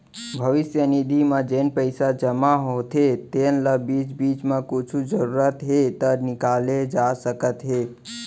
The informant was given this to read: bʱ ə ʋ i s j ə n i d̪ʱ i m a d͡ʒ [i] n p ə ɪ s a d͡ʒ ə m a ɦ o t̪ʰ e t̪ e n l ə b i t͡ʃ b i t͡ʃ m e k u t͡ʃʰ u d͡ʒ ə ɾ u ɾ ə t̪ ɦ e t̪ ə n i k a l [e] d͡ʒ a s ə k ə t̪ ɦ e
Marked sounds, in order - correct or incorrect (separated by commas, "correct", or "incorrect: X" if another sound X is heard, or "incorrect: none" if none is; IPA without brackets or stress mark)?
incorrect: e, correct